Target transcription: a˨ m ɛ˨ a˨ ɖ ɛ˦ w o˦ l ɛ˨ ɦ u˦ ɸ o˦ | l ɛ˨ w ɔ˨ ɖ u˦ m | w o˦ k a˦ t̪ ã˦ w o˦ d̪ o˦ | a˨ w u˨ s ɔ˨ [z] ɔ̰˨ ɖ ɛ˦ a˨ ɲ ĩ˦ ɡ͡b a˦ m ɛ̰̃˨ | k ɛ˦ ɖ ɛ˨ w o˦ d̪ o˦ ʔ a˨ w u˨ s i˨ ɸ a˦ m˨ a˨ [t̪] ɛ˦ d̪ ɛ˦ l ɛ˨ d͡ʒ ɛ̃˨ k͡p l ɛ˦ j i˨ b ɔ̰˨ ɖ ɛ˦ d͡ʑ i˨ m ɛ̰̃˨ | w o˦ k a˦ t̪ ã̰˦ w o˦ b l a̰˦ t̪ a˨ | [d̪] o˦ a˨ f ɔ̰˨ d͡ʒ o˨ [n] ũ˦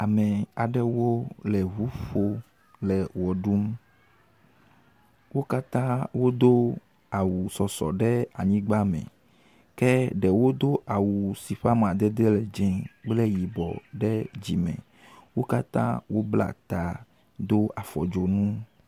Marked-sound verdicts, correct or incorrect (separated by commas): incorrect, incorrect, correct, correct